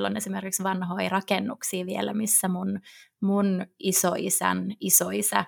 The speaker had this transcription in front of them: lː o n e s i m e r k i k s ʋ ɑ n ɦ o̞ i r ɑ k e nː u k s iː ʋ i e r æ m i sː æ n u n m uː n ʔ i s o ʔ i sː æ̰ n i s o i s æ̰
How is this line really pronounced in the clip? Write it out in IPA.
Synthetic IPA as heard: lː o n e s i m e r k i k s ʋ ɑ n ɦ o̞ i r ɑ k e nː u k s iː ʋ i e l æ m i sː æ m u n m u n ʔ i s o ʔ i s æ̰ n i s o i s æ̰